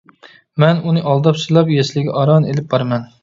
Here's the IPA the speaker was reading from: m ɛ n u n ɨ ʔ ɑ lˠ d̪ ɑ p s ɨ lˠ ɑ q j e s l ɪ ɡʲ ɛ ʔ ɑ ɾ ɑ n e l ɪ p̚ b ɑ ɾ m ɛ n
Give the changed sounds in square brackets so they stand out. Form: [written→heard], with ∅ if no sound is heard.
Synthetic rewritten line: m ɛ n u n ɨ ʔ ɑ lˠ d̪ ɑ p s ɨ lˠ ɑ [q→p] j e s l ɪ ɡʲ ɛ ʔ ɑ ɾ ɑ n e l ɪ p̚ b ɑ ɾ m ɛ n